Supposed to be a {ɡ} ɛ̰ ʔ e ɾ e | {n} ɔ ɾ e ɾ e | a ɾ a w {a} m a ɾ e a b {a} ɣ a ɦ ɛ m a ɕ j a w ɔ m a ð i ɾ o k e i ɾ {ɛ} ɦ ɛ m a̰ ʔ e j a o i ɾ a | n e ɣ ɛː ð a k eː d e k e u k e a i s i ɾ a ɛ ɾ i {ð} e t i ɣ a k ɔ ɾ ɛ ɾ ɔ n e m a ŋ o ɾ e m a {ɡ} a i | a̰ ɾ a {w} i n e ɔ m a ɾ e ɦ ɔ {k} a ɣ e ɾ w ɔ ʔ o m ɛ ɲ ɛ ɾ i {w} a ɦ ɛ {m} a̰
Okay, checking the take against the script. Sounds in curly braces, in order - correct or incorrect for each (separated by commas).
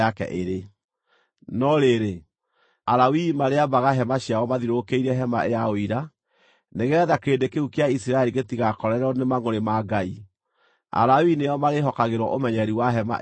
incorrect, correct, incorrect, correct, correct, incorrect, correct, correct, correct, correct, correct